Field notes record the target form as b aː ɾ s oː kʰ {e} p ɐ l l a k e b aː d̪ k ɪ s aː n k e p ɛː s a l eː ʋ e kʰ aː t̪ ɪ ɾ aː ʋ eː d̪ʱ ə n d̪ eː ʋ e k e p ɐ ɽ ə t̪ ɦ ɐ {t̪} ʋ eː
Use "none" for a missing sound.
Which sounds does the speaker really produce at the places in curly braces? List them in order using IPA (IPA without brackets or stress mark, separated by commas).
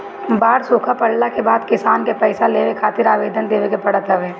a, none